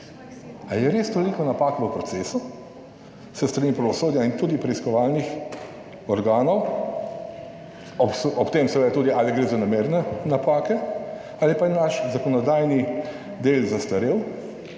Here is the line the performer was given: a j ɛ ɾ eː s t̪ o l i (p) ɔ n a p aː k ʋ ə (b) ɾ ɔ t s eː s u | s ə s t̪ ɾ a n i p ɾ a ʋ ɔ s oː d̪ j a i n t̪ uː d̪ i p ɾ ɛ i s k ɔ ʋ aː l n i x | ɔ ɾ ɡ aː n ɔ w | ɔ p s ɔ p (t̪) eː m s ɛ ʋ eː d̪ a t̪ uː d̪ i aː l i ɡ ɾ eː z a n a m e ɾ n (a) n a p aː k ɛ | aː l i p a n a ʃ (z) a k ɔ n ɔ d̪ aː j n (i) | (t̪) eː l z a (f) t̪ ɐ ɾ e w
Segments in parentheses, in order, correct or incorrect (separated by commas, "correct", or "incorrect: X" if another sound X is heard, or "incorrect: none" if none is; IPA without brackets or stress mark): incorrect: k, incorrect: p, correct, incorrect: ɛ, correct, correct, incorrect: d̪, incorrect: s